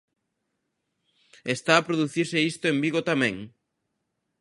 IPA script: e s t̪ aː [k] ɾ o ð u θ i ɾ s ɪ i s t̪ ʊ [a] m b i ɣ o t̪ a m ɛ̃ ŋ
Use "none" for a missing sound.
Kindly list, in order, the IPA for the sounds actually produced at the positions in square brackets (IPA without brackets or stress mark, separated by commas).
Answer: p, e